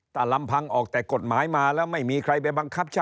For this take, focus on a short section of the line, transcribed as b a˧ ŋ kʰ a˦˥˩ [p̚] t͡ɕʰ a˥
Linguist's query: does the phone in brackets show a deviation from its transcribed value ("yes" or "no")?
no